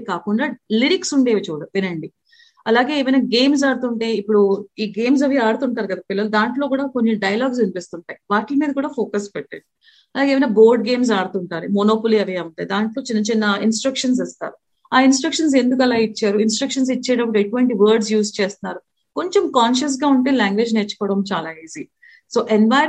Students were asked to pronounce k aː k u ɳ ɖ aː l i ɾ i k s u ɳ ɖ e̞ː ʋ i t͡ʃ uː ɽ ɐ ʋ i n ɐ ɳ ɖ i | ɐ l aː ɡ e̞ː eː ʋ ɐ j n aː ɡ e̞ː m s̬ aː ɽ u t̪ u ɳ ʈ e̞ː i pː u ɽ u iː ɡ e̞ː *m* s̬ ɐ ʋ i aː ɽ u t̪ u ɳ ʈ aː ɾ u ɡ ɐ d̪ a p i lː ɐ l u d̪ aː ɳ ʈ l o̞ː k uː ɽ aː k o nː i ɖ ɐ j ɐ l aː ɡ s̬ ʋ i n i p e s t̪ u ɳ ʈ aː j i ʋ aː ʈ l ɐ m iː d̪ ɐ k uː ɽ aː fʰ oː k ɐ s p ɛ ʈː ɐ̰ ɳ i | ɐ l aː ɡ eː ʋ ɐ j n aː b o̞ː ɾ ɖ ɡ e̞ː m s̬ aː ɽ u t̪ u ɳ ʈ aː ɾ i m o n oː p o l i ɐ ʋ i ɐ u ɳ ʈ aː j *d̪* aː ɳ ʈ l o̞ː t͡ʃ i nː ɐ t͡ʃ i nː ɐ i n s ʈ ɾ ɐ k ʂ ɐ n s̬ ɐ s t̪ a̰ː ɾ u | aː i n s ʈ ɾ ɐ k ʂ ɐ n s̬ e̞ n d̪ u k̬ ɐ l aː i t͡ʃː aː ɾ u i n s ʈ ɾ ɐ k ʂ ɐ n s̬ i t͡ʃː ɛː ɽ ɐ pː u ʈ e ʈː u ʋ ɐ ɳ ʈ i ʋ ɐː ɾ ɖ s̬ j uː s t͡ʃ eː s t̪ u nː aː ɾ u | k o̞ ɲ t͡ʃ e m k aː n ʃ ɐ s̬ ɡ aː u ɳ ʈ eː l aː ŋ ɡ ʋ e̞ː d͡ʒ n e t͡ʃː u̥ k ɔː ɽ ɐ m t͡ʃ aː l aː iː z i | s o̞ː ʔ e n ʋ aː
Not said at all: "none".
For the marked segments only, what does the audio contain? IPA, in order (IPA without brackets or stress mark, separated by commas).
m, d̪